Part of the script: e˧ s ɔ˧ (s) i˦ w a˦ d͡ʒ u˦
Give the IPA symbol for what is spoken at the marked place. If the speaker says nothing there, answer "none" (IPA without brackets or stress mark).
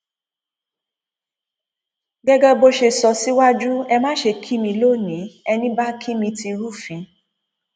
s